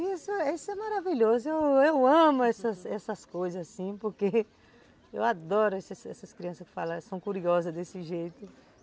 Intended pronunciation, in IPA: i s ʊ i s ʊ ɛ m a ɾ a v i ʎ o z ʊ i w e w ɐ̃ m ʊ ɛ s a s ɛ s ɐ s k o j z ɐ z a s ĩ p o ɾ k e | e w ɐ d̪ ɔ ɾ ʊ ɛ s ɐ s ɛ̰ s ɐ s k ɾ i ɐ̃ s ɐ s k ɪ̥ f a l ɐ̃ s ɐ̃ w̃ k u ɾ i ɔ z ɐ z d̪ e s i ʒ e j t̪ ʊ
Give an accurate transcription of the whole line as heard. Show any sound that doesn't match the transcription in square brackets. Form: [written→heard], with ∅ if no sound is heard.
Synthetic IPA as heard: i s ʊ i s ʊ ɛ m a ɾ a v i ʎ o z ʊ [i→e] w e w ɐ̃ m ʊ ɛ s [a→ɐ] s ɛ s ɐ s k o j z ɐ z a s ĩ p o ɾ k e | e w [ɐ→a] d̪ ɔ ɾ ʊ ɛ s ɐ s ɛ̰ s ɐ s k ɾ i ɐ̃ s ɐ s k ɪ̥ f a l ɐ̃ s ɐ̃ w̃ k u ɾ i ɔ z ɐ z d̪ e s [i→ɪ] ʒ e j t̪ ʊ